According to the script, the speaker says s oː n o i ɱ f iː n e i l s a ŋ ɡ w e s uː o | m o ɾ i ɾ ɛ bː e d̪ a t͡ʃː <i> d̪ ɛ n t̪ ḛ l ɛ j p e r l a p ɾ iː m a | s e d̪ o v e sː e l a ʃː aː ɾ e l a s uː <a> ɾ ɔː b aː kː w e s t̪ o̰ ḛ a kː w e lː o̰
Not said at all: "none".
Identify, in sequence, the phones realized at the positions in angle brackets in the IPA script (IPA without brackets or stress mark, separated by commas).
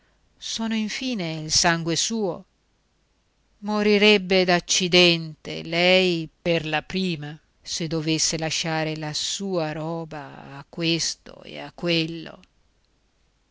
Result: i, a